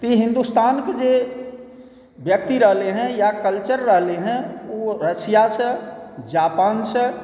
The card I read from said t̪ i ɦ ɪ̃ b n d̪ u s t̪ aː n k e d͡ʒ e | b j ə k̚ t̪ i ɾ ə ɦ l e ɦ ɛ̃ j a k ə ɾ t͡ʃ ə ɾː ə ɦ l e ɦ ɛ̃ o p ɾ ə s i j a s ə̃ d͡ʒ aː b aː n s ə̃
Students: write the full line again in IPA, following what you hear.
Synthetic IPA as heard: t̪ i ɦ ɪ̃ n d̪ u s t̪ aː n k e d͡ʒ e | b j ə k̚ t̪ i ɾ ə ɦ l e ɦ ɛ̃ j a k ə l t͡ʃ ə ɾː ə ɦ l e ɦ ɛ̃ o ɾ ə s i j a s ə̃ d͡ʒ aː p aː n s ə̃

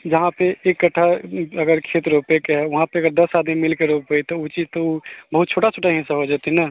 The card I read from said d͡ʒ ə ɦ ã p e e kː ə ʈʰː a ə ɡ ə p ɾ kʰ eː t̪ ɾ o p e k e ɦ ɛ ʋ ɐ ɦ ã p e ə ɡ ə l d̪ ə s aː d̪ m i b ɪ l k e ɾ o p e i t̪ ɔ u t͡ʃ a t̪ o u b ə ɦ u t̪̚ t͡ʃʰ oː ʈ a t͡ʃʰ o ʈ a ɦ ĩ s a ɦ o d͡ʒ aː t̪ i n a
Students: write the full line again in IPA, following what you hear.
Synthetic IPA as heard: d͡ʒ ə ɦ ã p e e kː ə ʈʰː a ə ɡ ə ɾ kʰ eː t̪ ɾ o p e k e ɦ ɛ ʋ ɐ ɦ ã p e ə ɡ ə ɾ d̪ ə s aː d̪ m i m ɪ l k e ɾ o p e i t̪ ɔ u t͡ʃ i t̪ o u b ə ɦ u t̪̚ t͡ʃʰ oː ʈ a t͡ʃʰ o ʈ a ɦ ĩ s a ɦ o d͡ʒ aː t̪ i n a

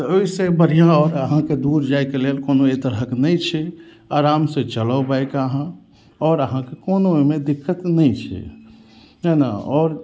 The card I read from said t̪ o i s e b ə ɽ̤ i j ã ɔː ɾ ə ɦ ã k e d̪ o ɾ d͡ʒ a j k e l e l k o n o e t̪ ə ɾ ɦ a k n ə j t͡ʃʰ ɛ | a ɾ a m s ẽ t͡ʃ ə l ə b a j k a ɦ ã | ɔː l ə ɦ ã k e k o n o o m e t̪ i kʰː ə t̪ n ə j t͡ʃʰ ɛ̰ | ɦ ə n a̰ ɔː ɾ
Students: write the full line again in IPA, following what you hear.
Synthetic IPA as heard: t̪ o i s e b ə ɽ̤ i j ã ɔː ɾ ə ɦ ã k e d̪ u ɾ d͡ʒ a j k e l e l k o n o e t̪ ə ɾ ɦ ə k n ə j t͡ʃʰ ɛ | a ɾ a m s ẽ t͡ʃ ə l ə b a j k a ɦ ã | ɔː ɾ ə ɦ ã k e k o n o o m e d̪ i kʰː ə t̪ n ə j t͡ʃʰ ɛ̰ | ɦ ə n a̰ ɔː ɾ

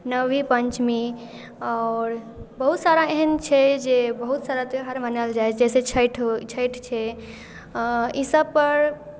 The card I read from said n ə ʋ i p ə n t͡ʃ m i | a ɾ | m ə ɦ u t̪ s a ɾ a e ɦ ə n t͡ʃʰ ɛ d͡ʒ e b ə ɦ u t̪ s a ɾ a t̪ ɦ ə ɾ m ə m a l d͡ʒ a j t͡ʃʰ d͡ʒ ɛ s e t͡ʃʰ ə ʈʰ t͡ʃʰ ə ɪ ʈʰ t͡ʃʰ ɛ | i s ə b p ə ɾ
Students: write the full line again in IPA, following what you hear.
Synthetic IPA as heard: n ə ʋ i p ə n t͡ʃ m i | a ɾ | b ə ɦ u t̪ s a ɾ a e ɦ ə n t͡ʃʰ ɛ d͡ʒ e b ə ɦ u t̪ s a ɾ a t̪ ɦ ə ɾ m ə n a l d͡ʒ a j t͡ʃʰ d͡ʒ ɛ s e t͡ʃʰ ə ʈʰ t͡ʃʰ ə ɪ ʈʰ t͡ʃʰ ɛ | i s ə b p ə ɾ

